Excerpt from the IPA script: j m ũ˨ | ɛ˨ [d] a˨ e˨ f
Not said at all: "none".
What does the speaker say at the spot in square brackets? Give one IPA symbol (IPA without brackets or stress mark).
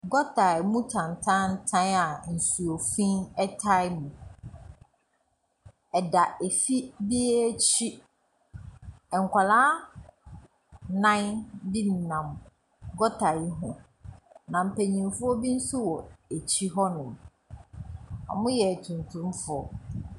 d